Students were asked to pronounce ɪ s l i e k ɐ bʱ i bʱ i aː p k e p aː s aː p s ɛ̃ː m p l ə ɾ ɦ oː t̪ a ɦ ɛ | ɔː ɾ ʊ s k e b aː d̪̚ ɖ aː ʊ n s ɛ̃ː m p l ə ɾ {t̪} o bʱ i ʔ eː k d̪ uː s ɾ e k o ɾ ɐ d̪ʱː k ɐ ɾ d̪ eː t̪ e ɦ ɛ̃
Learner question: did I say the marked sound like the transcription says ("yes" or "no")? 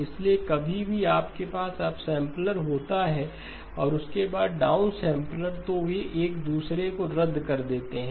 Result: yes